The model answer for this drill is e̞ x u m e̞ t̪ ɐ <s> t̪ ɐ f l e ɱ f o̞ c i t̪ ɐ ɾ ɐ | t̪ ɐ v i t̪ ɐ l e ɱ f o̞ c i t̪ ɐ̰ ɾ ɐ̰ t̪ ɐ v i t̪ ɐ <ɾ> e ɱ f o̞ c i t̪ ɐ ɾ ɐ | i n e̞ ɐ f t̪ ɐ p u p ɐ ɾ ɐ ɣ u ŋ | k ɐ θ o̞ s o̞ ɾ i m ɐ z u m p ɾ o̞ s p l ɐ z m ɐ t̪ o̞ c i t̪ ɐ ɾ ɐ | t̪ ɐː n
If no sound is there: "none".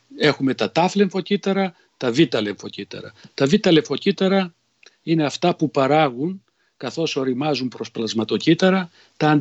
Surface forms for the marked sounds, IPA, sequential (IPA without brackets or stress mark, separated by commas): none, l